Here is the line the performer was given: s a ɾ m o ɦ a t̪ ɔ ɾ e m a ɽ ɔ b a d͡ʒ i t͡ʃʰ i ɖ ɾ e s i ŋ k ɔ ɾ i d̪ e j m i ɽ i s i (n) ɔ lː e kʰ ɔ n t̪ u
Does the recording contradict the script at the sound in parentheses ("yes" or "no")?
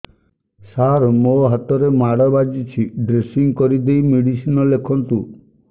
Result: no